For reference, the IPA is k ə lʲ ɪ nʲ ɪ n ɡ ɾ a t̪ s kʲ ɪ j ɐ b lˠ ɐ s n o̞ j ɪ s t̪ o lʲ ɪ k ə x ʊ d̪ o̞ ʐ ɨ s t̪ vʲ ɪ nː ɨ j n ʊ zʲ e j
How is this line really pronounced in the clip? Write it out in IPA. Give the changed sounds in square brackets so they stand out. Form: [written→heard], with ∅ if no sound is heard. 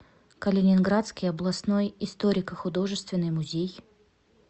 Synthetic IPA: k ə lʲ ɪ nʲ ɪ n ɡ ɾ a t̪ s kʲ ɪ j ɐ b lˠ ɐ s n o̞ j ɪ s t̪ o [lʲ→ɾʲ] ɪ k ə x ʊ d̪ o̞ ʐ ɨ s t̪ vʲ ɪ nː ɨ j [n→m] ʊ zʲ e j